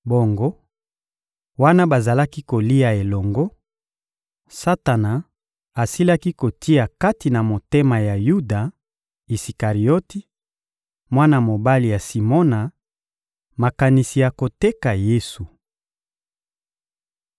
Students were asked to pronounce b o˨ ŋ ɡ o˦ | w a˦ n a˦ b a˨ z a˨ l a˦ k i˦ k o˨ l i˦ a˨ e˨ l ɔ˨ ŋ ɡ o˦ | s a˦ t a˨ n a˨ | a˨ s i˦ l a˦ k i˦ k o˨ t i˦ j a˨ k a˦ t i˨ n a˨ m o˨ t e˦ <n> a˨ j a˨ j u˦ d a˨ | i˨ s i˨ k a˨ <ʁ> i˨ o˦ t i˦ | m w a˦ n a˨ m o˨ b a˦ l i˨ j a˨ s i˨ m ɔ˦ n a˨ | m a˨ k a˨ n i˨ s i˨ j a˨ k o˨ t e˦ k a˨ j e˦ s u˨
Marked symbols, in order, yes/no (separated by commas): no, yes